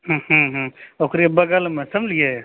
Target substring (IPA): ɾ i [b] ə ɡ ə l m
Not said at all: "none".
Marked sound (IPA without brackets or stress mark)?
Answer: b